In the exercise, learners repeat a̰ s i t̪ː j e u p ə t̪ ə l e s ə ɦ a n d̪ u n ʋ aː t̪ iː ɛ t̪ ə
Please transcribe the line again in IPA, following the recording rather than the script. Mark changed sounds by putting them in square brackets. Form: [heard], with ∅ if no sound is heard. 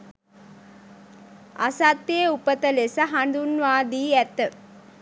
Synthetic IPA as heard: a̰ s [a] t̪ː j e u p ə t̪ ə l e s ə ɦ a n d̪ u n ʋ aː [d̪] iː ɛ t̪ ə